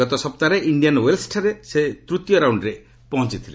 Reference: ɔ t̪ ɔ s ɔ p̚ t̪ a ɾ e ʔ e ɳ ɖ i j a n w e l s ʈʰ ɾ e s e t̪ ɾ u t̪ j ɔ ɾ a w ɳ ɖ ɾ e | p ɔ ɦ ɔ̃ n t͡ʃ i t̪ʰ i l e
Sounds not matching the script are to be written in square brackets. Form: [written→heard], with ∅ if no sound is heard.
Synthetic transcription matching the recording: ɔ t̪ ɔ s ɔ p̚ t̪ a ɾ e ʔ [e→i] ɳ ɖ i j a n w e l s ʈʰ ɾ e s e t̪ ɾ u t̪ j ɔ ɾ a w ɳ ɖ ɾ e | p ɔ ɦ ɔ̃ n t͡ʃ i t̪ʰ i l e